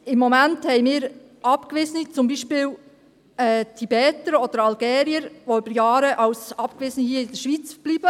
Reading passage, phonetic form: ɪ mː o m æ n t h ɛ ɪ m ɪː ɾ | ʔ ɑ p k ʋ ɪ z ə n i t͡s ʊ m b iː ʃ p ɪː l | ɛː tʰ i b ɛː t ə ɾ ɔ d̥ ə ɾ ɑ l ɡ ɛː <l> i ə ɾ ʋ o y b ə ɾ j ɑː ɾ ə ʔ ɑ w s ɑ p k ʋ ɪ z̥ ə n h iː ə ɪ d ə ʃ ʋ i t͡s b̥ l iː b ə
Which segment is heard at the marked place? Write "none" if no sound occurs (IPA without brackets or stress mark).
ɾ